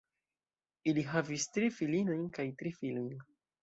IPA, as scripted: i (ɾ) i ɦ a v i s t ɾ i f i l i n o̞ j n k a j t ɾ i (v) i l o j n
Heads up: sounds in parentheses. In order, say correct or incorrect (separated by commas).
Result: incorrect, incorrect